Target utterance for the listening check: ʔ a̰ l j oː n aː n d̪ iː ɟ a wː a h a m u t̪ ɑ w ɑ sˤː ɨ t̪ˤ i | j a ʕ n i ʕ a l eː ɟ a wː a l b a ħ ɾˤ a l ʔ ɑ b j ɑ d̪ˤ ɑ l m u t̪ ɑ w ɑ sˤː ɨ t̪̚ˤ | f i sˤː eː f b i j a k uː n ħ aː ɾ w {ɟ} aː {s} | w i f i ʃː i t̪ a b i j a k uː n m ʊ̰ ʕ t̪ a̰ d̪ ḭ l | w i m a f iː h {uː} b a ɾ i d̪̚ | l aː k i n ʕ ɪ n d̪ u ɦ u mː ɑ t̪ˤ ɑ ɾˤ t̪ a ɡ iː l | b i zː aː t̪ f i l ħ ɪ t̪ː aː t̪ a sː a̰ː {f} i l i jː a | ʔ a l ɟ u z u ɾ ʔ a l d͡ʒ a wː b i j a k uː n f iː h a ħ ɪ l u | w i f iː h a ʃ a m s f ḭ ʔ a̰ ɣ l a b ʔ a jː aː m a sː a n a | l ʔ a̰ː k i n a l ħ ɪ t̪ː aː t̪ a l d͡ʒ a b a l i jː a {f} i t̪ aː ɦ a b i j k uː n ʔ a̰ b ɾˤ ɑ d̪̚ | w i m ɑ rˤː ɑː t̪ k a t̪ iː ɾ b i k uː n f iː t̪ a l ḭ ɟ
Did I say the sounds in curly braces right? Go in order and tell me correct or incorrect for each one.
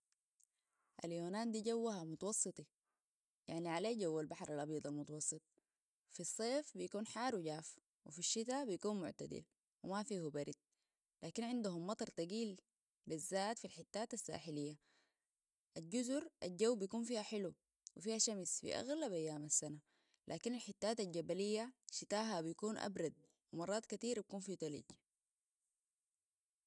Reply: correct, incorrect: f, incorrect: u, incorrect: ħ, incorrect: ʃ

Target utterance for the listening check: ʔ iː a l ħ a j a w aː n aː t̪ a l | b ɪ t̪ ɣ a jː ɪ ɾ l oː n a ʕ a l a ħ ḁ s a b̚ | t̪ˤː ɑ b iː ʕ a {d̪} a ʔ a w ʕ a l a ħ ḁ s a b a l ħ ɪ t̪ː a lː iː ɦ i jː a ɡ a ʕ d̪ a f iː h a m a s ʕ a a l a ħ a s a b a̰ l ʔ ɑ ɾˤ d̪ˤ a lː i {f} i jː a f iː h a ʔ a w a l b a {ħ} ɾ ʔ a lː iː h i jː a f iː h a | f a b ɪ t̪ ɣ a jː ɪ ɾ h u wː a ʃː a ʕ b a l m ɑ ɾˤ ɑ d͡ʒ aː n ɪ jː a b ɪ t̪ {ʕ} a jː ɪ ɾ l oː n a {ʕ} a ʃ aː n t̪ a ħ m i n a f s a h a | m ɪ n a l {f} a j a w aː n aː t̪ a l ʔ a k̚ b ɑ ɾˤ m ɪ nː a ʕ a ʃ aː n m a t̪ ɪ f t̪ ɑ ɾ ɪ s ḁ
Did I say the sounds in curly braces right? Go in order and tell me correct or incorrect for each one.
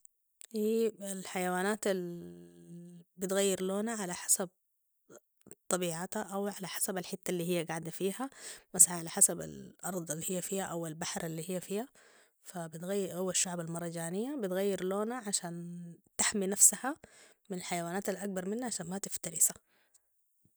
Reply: incorrect: t̪, incorrect: h, correct, incorrect: ɣ, correct, incorrect: ħ

